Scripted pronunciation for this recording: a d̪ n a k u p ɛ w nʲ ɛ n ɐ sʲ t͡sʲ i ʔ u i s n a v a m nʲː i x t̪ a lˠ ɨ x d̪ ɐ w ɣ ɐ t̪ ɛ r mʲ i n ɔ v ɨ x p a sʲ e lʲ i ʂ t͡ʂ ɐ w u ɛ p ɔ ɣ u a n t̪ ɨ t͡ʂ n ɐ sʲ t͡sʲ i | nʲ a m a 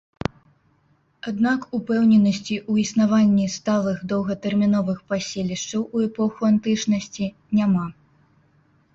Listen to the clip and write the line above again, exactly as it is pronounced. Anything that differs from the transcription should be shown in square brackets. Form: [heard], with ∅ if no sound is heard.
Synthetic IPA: a d̪ n a k u p ɛ w nʲ ɛ n ɐ sʲ t͡sʲ i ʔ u i s n a v a [∅] nʲː i [s] t̪ a lˠ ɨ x d̪ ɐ w ɣ ɐ t̪ ɛ r mʲ i n ɔ v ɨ x p a sʲ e lʲ i ʂ t͡ʂ ɐ w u ɛ p ɔ [x] u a n t̪ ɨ t͡ʂ n ɐ sʲ t͡sʲ i | nʲ a m a